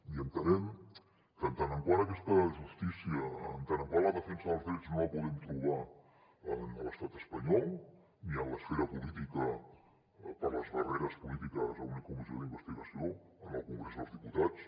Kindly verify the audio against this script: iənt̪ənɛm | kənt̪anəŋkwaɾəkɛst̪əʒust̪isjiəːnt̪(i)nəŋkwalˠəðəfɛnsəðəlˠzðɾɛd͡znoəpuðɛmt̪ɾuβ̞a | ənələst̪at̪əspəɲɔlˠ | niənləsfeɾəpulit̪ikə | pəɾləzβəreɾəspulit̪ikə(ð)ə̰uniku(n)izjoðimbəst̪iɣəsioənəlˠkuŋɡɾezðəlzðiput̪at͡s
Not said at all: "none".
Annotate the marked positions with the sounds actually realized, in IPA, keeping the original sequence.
a, z, m

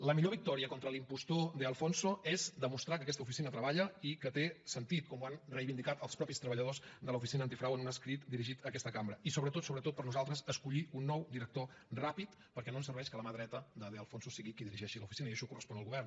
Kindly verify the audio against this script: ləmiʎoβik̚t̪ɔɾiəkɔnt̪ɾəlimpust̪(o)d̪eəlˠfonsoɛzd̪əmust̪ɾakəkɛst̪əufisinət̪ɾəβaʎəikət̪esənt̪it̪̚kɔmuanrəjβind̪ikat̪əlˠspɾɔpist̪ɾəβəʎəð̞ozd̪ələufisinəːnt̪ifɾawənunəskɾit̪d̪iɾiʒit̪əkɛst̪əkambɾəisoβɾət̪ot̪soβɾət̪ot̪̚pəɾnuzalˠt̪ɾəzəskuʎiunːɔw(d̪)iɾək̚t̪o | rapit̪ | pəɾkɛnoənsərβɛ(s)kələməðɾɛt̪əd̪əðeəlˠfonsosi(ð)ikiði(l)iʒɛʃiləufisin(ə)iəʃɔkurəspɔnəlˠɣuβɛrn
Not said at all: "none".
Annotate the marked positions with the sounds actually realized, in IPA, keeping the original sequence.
o, d̪, ʃ, ɣ, ɾ, ə

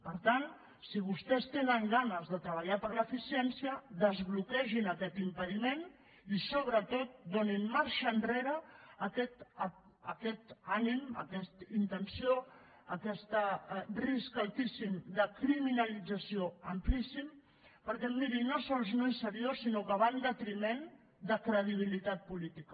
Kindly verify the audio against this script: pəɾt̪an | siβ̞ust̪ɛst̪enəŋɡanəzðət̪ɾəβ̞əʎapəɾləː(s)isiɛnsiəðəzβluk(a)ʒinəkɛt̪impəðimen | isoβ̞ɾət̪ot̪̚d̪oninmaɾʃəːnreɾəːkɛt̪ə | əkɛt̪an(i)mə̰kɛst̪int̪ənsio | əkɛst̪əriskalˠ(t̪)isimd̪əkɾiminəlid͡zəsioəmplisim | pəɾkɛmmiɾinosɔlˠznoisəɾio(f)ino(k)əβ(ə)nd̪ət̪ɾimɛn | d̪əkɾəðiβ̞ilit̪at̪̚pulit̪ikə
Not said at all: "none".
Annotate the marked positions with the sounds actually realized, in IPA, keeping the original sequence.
f, ɛ, i, t̪, s, k, a

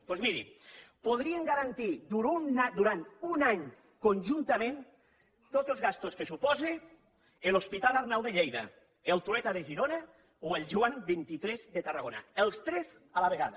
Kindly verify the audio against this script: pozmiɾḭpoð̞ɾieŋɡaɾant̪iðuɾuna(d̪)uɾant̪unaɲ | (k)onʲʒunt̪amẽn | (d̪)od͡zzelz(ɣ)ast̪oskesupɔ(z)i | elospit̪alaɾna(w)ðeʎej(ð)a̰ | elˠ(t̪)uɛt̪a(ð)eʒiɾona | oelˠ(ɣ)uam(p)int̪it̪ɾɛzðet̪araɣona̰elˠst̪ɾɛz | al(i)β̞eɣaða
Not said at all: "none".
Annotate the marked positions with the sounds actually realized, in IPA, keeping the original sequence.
d̪, k, t̪, ɣ, z, w, ð, t̪, ð, ʒ, b, a

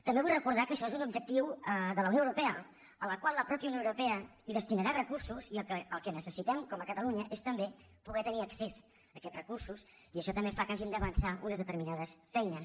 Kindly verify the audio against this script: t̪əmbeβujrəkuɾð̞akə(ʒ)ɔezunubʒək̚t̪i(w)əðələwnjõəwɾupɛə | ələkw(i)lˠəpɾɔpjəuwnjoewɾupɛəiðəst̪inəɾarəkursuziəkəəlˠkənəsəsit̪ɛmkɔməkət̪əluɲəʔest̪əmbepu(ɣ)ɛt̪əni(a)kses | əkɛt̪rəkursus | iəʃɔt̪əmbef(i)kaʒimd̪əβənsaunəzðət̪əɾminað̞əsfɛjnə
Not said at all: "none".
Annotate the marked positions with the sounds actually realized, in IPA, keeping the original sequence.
ʃ, w, a, ɣ, ə, a

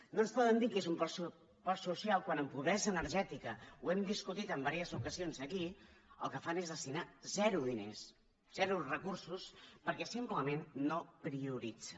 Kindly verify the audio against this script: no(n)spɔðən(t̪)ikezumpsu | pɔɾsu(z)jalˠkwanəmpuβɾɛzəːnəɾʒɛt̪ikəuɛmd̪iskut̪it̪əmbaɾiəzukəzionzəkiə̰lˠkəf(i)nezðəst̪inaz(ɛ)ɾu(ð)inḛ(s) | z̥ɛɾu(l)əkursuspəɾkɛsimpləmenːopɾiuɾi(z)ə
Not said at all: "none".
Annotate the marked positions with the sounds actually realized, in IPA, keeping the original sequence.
n, d̪, s, a, ɛ, ð, s, r, d͡z

